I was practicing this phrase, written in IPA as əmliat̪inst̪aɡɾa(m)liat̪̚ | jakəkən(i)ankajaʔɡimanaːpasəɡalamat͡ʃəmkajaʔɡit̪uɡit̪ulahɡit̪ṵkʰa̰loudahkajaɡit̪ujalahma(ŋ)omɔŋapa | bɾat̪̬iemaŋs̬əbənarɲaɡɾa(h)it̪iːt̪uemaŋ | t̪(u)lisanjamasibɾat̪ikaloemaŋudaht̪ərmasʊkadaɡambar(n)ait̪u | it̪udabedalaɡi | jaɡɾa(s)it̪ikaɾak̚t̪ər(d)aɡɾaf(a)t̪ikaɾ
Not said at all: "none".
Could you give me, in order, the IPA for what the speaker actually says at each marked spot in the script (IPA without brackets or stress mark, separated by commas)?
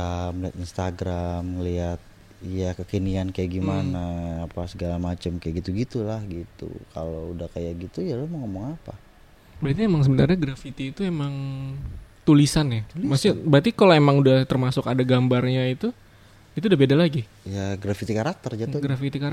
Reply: m, i, ŋ, f, u, ɲ, f, d͡ʒ, i